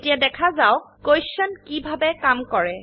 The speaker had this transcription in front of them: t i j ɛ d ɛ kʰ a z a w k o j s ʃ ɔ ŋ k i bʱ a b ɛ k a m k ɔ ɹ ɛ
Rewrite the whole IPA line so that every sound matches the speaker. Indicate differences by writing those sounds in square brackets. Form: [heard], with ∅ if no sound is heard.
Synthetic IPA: t i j [a] d ɛ kʰ a z a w k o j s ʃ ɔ [n] k i bʱ a b ɛ k a m k ɔ ɹ ɛ